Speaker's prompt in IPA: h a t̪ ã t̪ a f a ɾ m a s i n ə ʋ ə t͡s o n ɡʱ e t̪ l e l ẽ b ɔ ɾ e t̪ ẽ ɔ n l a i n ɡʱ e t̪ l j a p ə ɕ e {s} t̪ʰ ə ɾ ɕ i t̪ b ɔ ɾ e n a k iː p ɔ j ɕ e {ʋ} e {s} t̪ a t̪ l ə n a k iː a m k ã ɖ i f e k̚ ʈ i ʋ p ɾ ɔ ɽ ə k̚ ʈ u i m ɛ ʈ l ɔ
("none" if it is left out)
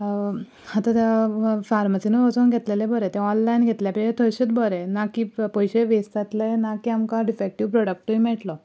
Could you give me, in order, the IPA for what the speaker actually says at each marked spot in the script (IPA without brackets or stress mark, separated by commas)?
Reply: none, ʋ, s